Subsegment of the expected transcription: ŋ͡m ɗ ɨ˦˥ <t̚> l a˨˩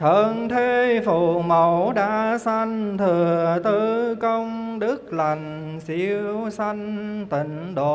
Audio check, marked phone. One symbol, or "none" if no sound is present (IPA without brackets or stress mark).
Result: k̚